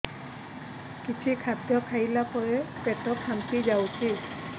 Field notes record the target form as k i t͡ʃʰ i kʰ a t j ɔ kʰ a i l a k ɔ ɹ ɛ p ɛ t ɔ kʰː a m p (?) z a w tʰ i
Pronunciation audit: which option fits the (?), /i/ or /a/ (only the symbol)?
i